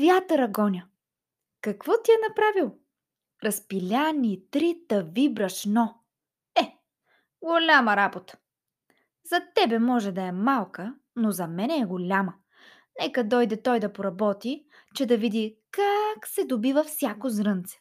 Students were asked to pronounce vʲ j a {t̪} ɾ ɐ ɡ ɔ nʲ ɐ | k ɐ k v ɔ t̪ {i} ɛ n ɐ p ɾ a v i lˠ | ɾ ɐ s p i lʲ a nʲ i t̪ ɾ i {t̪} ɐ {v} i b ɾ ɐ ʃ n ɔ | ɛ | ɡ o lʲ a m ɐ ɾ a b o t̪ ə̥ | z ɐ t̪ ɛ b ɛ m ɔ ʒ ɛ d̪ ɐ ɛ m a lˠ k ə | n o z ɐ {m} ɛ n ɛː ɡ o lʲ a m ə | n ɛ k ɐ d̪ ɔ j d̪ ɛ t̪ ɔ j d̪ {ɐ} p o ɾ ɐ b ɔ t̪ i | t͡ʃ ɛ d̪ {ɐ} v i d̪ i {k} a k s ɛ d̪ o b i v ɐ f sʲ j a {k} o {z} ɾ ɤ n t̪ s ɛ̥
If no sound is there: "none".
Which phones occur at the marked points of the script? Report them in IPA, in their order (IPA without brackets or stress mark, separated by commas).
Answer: t̪, i, t̪, v, m, ɐ, ɐ, k, k, z